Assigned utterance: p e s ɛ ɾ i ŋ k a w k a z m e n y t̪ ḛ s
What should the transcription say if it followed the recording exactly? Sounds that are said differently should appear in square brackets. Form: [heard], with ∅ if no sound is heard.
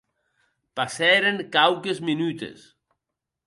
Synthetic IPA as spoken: p [a] s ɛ ɾ [e] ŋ k a w k [e] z m [i] n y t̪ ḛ s